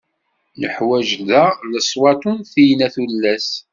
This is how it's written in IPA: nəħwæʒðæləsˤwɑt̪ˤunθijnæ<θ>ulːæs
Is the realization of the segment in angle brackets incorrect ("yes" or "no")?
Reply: no